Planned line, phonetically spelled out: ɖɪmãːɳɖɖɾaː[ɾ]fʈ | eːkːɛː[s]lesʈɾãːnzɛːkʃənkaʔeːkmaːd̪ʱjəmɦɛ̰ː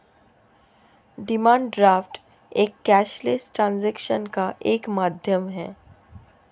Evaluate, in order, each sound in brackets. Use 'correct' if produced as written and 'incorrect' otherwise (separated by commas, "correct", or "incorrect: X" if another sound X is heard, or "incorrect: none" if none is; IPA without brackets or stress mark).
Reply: incorrect: none, incorrect: ʃ